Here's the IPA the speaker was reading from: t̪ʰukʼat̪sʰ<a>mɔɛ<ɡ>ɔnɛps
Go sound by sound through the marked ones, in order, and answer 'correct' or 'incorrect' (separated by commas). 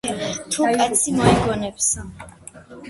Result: incorrect, correct